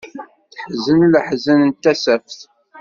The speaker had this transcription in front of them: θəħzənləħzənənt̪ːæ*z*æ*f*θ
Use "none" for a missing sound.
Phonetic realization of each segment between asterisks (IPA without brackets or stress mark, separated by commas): s, f